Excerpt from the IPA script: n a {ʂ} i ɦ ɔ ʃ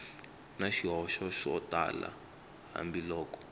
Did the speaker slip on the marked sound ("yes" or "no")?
yes